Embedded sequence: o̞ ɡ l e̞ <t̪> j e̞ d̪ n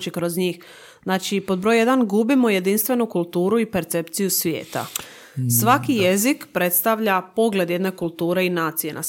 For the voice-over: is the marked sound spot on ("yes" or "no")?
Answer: no